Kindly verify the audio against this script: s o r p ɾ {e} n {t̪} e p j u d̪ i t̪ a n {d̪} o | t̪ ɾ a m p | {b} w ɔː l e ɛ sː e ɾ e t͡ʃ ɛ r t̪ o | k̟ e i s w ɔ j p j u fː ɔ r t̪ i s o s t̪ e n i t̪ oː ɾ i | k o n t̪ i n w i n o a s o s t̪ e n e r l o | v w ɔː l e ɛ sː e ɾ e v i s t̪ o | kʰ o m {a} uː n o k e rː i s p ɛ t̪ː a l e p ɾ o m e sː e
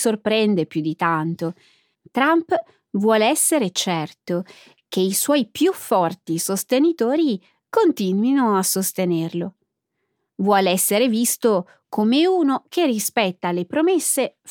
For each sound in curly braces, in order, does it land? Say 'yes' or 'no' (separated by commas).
no, no, no, no, no